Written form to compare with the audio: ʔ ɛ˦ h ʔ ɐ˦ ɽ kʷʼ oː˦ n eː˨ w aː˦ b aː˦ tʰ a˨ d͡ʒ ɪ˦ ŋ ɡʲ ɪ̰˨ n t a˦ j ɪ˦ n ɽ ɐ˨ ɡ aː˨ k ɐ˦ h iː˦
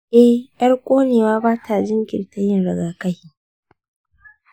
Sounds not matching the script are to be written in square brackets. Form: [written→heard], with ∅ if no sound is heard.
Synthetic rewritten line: ʔ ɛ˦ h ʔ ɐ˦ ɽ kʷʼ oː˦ n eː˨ w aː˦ b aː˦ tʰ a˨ d͡ʒ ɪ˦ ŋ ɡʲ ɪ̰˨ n t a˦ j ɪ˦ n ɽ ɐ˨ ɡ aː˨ k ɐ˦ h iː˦